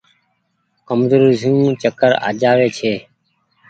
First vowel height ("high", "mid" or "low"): mid